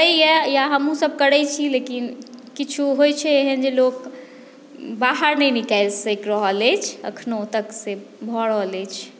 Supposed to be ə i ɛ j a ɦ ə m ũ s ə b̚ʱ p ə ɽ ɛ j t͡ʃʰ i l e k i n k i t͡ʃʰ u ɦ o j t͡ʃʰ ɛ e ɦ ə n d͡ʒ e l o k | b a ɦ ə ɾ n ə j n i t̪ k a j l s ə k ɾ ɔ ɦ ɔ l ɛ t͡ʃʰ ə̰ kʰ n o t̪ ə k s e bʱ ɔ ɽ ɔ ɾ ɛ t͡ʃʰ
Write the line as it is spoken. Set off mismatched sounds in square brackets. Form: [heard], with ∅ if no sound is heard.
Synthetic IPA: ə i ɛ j a ɦ ə m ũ s ə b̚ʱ [k] ə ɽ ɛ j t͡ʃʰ i l e k i n k i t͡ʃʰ u ɦ o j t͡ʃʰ ɛ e ɦ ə n d͡ʒ e l o k | b a ɦ ə ɾ n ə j n i [∅] k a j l s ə k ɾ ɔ ɦ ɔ l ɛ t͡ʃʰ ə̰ kʰ n o t̪ ə k s e bʱ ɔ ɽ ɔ [l] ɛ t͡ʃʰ